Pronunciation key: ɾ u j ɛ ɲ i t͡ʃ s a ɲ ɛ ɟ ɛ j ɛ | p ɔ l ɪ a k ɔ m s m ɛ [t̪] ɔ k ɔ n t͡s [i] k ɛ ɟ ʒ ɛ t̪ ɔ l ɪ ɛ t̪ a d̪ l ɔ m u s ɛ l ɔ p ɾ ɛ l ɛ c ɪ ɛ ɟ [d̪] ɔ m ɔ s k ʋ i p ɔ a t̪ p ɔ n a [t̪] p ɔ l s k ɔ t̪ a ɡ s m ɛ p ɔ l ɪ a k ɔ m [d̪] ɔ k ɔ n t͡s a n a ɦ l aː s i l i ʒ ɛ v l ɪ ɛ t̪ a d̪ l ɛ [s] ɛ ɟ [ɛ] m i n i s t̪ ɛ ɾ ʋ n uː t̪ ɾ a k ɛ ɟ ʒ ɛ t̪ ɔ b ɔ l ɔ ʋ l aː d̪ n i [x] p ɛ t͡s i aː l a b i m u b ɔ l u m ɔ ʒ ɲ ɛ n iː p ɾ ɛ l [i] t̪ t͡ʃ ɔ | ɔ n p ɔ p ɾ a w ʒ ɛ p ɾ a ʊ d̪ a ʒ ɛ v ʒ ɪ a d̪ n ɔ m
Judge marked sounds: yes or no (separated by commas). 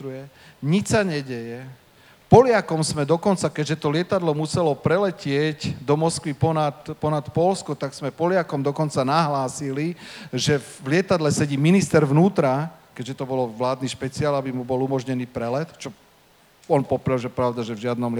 no, no, yes, yes, yes, yes, no, no, no